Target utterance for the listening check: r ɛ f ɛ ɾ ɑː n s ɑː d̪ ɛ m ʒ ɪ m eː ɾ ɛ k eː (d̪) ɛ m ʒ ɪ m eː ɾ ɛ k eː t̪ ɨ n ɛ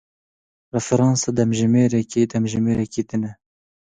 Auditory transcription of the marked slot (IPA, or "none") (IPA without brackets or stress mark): d̪